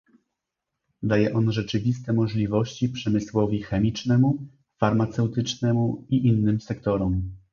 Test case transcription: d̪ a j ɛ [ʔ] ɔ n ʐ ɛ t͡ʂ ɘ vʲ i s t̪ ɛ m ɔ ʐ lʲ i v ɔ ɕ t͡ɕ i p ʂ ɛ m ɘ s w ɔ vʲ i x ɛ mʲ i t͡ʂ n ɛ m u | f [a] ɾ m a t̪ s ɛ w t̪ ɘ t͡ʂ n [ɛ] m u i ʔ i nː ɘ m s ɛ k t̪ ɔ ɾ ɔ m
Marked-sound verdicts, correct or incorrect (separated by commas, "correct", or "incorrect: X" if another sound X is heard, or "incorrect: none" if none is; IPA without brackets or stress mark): correct, correct, correct